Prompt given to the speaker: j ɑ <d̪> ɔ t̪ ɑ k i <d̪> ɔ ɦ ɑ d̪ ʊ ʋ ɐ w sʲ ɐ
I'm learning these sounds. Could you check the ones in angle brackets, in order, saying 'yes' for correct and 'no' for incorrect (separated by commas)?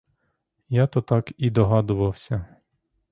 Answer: no, yes